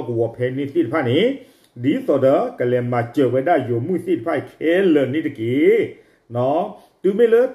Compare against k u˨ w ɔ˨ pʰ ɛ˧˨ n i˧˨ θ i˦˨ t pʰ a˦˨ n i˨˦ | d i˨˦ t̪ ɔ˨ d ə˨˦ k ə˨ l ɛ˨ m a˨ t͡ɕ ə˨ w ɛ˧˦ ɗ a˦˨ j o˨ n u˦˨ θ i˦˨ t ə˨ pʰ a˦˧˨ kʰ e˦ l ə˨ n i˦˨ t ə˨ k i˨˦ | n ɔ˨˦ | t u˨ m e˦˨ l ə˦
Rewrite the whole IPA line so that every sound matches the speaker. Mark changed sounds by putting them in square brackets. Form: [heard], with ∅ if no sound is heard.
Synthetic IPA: k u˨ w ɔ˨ pʰ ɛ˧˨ n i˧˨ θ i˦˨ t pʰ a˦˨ n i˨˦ | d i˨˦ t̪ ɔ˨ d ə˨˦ k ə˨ l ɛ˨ m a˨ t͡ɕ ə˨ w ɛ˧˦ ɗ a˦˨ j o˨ [m] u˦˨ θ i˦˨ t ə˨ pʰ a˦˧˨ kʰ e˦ l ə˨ n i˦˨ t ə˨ k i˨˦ | n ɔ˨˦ | t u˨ m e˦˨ l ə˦